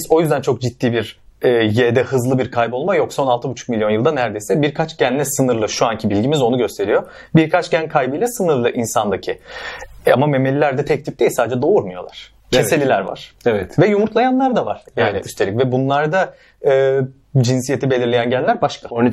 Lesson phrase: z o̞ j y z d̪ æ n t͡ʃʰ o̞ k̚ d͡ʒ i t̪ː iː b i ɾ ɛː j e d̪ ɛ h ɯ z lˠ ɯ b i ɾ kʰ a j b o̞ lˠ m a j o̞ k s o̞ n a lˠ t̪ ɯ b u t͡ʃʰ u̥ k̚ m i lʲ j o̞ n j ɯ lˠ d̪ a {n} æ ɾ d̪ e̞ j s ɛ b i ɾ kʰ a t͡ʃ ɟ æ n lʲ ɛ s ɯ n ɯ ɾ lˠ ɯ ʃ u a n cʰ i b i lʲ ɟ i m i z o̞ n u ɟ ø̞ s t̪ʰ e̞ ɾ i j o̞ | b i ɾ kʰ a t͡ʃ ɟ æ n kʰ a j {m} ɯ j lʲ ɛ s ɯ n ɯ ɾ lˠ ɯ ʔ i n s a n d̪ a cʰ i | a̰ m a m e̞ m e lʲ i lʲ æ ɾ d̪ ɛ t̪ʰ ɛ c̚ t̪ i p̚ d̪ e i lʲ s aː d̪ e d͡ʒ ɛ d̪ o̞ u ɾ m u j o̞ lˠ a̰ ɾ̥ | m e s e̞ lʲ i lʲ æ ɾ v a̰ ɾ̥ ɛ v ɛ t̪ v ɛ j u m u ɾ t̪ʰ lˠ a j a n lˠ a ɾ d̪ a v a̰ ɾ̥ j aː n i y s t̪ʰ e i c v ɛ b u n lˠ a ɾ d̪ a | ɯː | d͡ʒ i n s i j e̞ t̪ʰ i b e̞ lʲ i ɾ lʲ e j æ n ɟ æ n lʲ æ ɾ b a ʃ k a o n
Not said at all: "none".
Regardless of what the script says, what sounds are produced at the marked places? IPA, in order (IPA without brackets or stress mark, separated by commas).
n, b